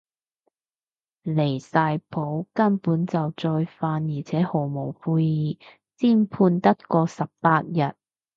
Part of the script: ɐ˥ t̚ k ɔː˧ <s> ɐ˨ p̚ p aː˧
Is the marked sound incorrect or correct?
correct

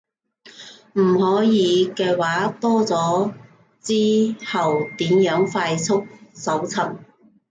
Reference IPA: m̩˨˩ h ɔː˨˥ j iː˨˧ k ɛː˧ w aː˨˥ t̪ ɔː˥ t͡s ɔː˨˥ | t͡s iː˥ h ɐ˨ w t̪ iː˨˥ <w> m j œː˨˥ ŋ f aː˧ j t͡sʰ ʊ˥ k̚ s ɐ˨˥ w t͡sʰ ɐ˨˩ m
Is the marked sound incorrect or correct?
incorrect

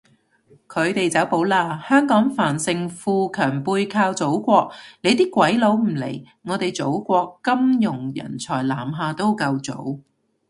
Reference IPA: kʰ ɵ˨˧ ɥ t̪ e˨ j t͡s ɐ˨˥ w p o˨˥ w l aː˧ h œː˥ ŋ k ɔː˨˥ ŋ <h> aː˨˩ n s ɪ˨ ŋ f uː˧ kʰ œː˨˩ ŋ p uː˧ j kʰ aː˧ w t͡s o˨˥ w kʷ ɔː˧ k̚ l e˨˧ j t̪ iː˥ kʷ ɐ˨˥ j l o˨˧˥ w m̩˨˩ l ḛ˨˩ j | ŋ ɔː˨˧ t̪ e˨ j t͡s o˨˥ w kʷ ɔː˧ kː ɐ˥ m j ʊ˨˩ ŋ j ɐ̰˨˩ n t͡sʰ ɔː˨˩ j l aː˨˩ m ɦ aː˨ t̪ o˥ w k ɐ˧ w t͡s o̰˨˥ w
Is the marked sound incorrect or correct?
incorrect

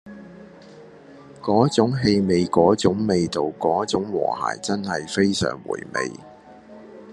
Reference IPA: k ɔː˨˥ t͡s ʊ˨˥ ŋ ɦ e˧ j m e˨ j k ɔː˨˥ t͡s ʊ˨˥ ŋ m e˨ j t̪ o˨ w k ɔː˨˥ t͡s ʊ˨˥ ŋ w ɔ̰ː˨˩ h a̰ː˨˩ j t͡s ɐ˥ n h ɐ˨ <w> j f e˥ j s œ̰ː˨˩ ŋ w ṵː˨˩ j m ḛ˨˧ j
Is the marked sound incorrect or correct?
incorrect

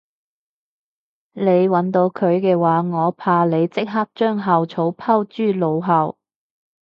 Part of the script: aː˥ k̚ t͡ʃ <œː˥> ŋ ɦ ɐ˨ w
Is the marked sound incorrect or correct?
correct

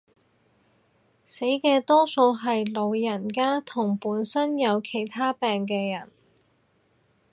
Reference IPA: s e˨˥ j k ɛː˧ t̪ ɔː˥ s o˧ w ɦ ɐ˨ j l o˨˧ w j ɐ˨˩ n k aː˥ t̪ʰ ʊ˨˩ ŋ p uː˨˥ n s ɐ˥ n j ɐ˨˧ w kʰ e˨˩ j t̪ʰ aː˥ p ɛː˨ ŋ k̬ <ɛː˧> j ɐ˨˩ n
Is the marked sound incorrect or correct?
correct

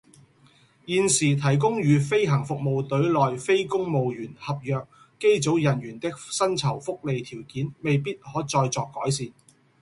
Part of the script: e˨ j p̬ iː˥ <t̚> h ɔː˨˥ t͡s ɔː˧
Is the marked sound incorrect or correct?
correct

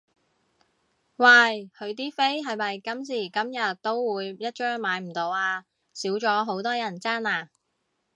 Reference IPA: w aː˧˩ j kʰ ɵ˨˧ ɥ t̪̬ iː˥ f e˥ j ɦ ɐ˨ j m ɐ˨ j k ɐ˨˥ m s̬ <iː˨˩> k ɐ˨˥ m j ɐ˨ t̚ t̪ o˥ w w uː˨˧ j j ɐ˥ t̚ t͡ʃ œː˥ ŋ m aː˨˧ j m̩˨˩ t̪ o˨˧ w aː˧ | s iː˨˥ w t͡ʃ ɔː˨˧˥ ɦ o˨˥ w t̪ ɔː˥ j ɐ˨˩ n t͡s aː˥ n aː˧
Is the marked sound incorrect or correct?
correct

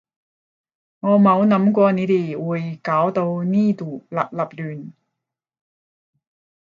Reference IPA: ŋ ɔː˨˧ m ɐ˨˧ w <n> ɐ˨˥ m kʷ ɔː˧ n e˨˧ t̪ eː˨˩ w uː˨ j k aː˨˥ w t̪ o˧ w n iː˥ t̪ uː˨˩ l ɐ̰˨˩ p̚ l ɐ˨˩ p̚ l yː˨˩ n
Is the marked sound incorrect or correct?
correct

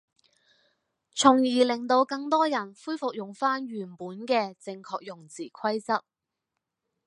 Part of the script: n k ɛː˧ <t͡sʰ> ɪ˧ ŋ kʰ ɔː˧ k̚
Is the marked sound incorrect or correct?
incorrect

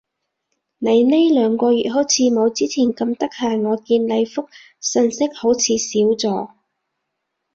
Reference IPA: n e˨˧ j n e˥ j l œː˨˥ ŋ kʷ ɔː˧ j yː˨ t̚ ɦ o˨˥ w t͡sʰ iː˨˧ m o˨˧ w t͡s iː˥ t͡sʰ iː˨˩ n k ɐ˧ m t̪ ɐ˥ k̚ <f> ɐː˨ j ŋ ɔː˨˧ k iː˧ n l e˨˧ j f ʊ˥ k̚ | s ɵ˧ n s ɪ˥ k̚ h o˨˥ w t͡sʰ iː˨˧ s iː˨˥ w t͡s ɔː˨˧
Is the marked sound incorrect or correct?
incorrect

